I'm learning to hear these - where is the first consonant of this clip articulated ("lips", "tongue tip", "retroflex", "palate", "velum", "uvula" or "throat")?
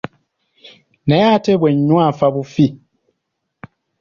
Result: tongue tip